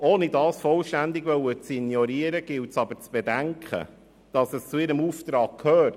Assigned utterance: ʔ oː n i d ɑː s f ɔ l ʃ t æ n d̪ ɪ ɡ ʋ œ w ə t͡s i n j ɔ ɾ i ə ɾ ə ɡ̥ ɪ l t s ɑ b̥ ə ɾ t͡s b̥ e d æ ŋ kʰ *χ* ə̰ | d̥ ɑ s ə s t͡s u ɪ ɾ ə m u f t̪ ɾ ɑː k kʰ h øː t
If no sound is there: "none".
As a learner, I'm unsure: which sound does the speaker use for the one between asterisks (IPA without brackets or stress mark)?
χ